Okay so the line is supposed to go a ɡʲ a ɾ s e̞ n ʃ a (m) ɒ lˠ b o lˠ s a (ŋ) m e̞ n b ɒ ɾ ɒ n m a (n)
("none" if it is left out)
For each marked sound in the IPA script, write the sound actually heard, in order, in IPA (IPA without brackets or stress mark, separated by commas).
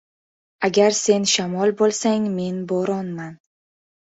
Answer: m, ŋ, n